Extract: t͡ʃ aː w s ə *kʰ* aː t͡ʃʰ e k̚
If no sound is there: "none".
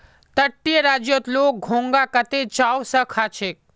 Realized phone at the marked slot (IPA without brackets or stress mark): kʰ